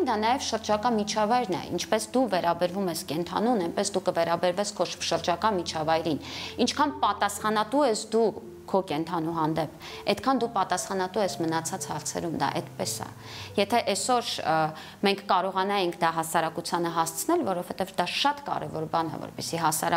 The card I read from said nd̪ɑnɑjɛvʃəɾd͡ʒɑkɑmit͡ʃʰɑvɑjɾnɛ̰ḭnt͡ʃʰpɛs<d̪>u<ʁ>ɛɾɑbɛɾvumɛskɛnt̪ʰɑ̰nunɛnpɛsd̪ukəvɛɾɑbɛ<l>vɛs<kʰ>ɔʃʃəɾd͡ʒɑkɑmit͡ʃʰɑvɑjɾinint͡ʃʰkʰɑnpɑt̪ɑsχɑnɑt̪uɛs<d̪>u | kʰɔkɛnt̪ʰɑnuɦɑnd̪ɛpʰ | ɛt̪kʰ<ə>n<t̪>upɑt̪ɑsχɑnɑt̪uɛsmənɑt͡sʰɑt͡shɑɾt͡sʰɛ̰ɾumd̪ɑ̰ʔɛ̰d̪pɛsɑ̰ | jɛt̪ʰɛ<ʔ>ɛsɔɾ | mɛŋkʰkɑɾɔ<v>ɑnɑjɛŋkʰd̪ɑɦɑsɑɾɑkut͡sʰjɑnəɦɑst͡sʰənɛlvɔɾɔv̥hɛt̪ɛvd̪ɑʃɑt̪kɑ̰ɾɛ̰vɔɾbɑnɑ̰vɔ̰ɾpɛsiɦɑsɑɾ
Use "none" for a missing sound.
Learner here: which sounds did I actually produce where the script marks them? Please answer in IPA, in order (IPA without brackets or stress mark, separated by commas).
d̪, v, ɾ, kʰ, d̪, ɑ, d̪, ʔ, ʁ